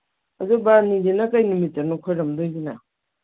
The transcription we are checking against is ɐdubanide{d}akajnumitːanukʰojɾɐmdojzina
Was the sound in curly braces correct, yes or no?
no